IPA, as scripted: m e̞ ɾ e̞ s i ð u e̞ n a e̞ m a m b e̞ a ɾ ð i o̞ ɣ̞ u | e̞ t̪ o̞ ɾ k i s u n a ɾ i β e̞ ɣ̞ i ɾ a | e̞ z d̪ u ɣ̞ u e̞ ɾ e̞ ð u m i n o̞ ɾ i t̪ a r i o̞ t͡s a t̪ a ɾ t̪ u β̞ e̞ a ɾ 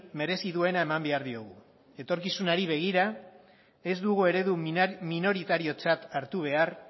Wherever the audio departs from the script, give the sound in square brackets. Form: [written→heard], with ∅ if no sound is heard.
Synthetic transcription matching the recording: m e̞ ɾ e̞ s i ð u e̞ n a e̞ m a m b e̞ a ɾ ð i o̞ ɣ̞ u | e̞ t̪ o̞ ɾ k i s u n a ɾ i β e̞ ɣ̞ i ɾ a | e̞ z d̪ u ɣ̞ u e̞ ɾ e̞ ð u m i n o̞ ɾ i t̪ a [r→ɾ] i o̞ t͡s a t̪ a ɾ t̪ u β̞ e̞ a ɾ